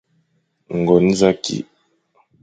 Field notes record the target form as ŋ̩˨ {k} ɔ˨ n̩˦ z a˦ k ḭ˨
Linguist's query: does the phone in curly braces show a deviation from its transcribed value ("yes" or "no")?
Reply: yes